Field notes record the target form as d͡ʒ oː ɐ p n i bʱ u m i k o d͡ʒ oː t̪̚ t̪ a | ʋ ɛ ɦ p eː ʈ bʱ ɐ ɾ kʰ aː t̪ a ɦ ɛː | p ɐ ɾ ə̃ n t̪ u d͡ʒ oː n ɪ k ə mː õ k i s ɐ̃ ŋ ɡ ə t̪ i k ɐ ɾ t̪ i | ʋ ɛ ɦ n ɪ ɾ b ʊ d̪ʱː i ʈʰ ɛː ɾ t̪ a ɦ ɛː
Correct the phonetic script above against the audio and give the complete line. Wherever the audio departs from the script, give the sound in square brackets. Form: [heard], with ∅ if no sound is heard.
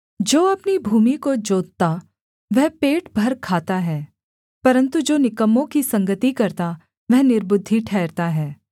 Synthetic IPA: d͡ʒ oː ɐ p n i bʱ [uː] m i k o d͡ʒ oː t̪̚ t̪ a | ʋ ɛ ɦ p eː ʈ bʱ ɐ ɾ kʰ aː t̪ a ɦ ɛː | p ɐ ɾ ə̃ n t̪ u d͡ʒ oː n ɪ k ə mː õ k i s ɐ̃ ŋ ɡ ə t̪ i k ɐ ɾ t̪ [a] | ʋ ɛ ɦ n ɪ ɾ b ʊ d̪ʱː i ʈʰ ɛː ɾ t̪ a ɦ ɛː

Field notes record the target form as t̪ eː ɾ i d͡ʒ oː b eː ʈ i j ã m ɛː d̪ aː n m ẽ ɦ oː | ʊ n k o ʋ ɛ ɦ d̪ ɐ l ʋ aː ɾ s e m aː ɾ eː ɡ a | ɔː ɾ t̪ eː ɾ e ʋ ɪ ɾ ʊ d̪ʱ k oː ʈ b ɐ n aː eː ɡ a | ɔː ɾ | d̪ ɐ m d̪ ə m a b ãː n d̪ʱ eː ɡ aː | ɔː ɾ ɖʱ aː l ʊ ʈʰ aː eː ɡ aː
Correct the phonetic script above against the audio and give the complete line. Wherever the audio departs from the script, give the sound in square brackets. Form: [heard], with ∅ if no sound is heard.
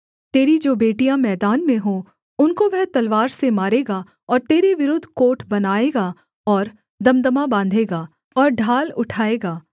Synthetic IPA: t̪ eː ɾ i d͡ʒ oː b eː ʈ i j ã m ɛː d̪ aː n m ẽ ɦ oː | ʊ n k o ʋ ɛ ɦ [t̪] ɐ l ʋ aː ɾ s e m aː ɾ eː ɡ a | ɔː ɾ t̪ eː ɾ e ʋ ɪ ɾ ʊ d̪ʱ k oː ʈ b ɐ n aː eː ɡ a | ɔː ɾ | d̪ ɐ m d̪ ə m a b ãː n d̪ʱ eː ɡ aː | ɔː ɾ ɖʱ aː l ʊ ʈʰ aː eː ɡ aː

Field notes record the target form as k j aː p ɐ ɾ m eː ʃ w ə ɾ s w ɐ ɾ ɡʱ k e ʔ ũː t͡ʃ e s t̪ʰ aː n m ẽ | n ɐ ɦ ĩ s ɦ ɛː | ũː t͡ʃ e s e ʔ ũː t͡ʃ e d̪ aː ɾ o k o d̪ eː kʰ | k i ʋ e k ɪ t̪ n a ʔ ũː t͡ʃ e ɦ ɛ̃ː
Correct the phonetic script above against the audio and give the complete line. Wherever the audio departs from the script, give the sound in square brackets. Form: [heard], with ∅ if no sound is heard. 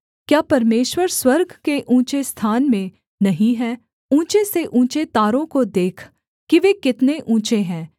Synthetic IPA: k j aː p ɐ ɾ m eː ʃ w ə ɾ s w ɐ ɾ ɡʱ k e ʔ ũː t͡ʃ e s t̪ʰ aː n m ẽ | n ɐ ɦ ĩ [∅] ɦ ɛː | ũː t͡ʃ e s e ʔ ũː t͡ʃ e [t̪] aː ɾ [õ] k o d̪ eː kʰ | k i ʋ e k ɪ t̪ n [e] ʔ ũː t͡ʃ e ɦ ɛ̃ː

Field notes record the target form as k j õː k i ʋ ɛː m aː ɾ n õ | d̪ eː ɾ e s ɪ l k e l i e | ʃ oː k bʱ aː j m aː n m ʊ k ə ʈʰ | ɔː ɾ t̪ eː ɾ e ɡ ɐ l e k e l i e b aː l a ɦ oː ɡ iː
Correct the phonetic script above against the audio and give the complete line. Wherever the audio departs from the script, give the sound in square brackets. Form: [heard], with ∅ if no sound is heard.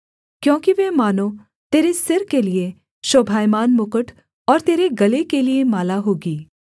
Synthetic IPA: k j õː k i ʋ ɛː m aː [∅] n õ | [t̪] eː ɾ e s ɪ [ɾ] k e l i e | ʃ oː [∅] bʱ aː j m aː n m ʊ k ə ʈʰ | ɔː ɾ t̪ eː ɾ e ɡ ɐ l e k e l i e [m] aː l a ɦ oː ɡ iː

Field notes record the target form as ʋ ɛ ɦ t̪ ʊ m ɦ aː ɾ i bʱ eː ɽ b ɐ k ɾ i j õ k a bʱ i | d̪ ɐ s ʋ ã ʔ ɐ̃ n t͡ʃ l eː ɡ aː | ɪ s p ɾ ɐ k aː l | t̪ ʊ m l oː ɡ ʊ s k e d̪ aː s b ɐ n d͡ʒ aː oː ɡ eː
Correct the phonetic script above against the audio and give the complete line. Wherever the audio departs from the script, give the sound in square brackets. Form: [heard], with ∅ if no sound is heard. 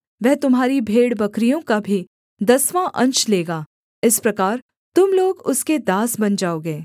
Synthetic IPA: ʋ ɛ ɦ t̪ ʊ m ɦ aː ɾ i bʱ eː ɽ b ɐ k ɾ i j õ k a bʱ i | d̪ ɐ s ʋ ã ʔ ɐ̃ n t͡ʃ l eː ɡ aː | ɪ s p ɾ ɐ k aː [ɾ] | t̪ ʊ m l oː ɡ ʊ s k e d̪ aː s b ɐ n d͡ʒ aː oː ɡ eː

